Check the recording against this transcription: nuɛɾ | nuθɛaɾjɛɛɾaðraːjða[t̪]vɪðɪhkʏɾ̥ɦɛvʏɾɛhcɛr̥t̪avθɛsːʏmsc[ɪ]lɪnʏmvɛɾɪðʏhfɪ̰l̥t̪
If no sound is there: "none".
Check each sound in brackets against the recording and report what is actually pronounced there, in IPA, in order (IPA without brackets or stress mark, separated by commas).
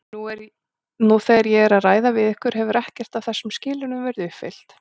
none, ɪː